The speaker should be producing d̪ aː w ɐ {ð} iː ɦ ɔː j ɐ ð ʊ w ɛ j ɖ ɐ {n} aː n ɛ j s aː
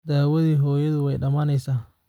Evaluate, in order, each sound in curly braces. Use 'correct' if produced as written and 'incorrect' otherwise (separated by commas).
correct, incorrect